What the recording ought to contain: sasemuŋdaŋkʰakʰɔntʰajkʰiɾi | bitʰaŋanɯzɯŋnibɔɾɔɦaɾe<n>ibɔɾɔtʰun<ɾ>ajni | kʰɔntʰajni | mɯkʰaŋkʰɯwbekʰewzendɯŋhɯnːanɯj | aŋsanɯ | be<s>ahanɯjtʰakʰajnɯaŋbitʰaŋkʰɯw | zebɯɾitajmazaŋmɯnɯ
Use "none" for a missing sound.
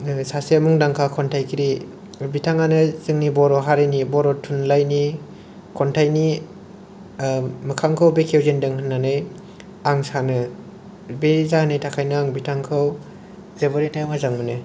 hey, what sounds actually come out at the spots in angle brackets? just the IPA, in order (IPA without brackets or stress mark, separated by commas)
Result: n, l, z